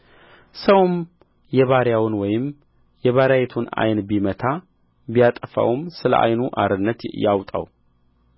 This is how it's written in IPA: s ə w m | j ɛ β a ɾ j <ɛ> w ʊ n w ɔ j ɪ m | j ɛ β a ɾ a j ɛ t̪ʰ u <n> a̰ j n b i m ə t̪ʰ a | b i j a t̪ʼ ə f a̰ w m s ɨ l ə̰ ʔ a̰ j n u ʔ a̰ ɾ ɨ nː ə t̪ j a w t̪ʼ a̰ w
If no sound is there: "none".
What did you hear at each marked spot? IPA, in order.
a, n

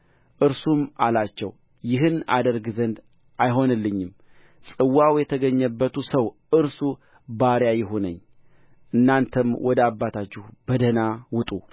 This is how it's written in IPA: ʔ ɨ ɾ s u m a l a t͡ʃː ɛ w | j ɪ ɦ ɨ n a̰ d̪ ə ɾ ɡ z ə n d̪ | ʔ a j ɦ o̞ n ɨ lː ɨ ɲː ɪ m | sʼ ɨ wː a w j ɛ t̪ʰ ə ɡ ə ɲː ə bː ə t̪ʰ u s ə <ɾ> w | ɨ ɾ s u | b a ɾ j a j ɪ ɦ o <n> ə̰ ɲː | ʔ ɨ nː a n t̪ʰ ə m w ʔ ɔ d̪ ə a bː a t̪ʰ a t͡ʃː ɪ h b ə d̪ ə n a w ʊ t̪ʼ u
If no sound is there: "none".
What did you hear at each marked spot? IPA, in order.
none, n

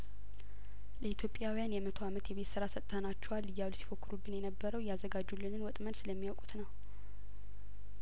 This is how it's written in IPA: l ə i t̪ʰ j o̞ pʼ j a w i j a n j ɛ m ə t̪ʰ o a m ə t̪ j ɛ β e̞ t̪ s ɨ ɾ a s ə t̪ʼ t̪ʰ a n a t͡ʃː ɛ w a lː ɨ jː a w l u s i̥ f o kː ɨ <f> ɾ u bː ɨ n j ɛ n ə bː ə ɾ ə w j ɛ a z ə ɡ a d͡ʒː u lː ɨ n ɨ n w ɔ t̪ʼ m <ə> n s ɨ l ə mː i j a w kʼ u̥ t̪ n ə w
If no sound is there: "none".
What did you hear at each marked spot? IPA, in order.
none, ə

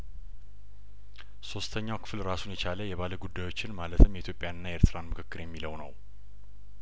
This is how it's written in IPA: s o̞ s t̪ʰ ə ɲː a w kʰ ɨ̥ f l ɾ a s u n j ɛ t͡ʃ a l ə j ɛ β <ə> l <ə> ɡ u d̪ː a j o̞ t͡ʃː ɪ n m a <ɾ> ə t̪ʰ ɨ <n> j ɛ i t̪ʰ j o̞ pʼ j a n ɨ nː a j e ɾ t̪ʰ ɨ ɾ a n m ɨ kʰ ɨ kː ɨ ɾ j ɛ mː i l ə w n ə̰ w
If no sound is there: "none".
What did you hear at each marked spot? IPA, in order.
a, ə, l, m

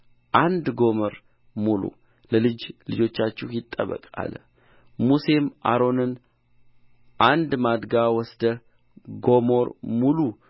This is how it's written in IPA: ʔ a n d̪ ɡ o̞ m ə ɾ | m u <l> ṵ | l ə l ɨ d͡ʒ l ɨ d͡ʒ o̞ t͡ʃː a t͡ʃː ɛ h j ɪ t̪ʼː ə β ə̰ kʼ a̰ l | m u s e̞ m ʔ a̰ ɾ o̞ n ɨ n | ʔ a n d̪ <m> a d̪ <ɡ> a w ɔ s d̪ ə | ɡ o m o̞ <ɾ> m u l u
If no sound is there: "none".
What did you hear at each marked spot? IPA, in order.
l, m, ɡ, ɾ

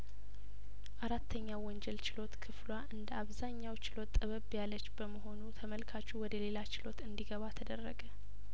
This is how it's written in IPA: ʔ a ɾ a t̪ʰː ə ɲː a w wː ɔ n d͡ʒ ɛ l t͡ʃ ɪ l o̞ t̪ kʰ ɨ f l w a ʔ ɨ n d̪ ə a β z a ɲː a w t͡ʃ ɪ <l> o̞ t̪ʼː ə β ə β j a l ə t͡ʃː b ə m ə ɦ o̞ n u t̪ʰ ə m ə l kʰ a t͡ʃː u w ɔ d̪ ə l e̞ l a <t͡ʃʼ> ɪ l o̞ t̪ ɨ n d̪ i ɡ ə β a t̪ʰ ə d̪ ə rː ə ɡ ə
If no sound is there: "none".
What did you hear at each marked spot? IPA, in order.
l, t͡ʃ

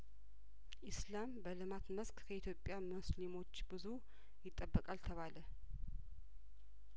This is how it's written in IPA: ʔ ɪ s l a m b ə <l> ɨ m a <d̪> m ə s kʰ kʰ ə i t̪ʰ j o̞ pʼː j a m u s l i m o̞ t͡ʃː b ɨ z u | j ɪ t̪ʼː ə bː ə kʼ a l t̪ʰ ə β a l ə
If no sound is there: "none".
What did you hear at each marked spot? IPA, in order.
l, t̪

